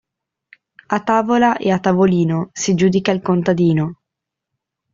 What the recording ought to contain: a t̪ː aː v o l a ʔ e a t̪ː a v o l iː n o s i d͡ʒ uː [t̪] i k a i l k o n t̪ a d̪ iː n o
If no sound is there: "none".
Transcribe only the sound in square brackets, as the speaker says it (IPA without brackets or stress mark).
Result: d̪